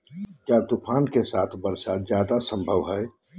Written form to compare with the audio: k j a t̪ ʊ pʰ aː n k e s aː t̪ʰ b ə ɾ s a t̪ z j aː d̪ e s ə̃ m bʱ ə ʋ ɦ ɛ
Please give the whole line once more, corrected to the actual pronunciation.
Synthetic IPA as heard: k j a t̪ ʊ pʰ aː n k e s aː t̪ʰ b ə ɾ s a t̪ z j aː d̪ a s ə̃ m bʱ ə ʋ ɦ ɛ